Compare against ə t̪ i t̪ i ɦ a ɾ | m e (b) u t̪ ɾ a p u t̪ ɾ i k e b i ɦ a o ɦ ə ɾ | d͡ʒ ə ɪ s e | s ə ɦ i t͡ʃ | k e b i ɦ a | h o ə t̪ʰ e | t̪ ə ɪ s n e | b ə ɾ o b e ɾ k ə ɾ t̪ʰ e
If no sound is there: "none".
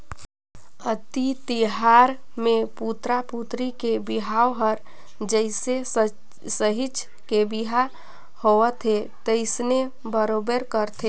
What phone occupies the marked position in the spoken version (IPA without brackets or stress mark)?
p